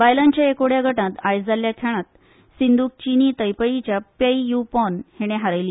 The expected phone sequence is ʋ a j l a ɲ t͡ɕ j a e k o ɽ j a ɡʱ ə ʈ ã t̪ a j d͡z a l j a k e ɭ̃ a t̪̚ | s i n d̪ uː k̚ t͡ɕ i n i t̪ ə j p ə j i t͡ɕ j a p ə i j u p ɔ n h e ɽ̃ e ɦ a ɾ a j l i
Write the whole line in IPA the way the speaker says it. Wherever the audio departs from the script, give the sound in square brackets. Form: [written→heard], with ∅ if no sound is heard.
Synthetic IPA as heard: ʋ a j l a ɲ t͡ɕ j a e k o ɽ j a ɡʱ ə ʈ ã t̪ a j d͡z a l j a [k→kʰ] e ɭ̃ a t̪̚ | s i n d̪ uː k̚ t͡ɕ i n i t̪ ə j p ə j i t͡ɕ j a p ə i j u p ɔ n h e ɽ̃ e ɦ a ɾ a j l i